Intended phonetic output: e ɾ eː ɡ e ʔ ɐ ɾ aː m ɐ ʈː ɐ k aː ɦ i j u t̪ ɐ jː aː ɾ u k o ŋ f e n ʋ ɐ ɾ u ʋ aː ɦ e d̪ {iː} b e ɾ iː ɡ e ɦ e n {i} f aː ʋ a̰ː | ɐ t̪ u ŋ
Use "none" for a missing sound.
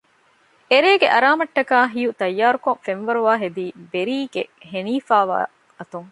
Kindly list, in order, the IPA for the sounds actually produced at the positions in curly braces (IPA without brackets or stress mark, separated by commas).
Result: iː, iː